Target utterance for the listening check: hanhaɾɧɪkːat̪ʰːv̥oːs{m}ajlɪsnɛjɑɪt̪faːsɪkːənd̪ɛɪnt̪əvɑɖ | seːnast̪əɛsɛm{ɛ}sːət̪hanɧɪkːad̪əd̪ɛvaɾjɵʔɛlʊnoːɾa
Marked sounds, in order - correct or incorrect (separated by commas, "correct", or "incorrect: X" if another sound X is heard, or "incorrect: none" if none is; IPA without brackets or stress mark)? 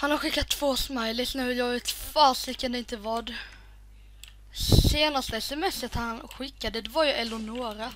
correct, correct